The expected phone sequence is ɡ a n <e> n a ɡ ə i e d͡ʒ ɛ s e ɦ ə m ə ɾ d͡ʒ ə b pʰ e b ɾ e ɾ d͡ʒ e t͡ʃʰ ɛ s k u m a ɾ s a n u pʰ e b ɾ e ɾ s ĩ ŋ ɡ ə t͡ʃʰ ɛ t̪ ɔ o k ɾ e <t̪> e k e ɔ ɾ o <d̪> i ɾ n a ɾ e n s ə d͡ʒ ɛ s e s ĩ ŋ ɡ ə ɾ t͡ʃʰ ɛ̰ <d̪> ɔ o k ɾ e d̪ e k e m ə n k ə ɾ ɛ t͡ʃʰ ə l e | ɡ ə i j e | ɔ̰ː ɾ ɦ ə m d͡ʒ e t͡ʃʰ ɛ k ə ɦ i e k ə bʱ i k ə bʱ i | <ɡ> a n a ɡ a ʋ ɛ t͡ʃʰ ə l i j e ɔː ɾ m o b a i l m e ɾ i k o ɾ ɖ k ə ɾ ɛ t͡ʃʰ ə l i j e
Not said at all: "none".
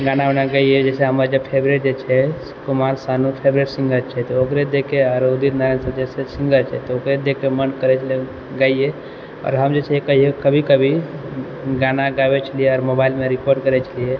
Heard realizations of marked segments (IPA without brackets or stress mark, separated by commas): a, d̪, d̪, t̪, ɡ